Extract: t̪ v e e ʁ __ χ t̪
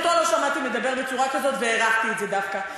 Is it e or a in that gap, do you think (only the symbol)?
a